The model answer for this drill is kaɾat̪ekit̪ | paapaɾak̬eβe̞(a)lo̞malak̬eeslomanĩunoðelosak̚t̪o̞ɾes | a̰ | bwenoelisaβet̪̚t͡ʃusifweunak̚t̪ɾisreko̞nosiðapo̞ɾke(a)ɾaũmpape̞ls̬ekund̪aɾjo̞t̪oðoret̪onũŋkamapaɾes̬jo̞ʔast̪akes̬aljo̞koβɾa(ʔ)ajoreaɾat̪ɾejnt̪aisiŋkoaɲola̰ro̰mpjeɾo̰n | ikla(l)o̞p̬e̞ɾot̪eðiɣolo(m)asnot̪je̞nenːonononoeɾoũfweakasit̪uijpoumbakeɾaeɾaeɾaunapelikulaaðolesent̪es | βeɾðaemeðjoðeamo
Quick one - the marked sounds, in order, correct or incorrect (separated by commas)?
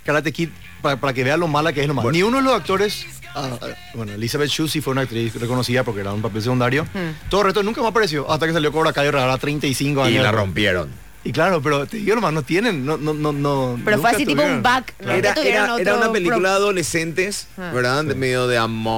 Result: correct, incorrect, incorrect, incorrect, correct